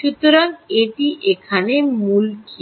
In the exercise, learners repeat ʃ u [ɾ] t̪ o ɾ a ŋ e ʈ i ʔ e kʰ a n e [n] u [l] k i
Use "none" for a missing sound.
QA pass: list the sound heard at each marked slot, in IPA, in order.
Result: none, m, l

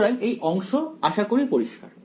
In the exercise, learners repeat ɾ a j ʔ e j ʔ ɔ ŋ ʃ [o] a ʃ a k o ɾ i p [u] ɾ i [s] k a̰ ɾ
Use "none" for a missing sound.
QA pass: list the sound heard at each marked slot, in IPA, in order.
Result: o, o, ʃ

